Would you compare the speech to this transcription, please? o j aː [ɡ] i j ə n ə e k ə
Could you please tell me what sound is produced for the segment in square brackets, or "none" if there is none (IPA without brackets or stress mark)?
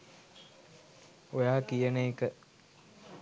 k